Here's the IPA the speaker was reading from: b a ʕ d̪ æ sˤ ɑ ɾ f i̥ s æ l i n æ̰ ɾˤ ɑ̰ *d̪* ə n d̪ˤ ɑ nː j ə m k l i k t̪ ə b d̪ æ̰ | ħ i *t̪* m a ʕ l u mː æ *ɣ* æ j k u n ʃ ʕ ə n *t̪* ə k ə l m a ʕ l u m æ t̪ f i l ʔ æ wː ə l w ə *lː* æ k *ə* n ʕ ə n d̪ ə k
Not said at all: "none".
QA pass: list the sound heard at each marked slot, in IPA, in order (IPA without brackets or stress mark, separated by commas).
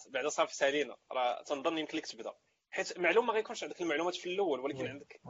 t̪, t̪, ɣ, d̪, l, ə